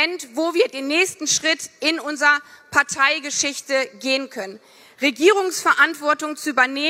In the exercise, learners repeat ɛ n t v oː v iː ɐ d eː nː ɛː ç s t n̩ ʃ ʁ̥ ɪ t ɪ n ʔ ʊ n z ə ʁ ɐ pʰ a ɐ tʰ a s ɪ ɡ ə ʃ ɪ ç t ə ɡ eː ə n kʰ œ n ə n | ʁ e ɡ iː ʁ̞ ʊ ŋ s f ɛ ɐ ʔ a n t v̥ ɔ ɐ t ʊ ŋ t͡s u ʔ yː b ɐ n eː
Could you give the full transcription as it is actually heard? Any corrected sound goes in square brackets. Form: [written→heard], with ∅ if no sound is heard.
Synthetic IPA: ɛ n t v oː v iː ɐ d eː nː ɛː ç s t n̩ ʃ ʁ̥ ɪ t ɪ n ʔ ʊ n z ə ʁ ɐ pʰ a ɐ tʰ a [s→∅] ɪ ɡ ə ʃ ɪ ç t ə ɡ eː ə n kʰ œ n ə n | ʁ e ɡ iː ʁ̞ ʊ ŋ s f ɛ ɐ ʔ a n t v̥ ɔ ɐ t ʊ ŋ t͡s u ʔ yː b ɐ n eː